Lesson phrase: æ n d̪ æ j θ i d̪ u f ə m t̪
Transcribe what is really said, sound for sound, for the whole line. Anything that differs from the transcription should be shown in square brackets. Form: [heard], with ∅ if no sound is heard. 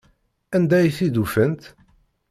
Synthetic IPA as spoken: æ n d̪ æ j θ i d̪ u f ə [n] t̪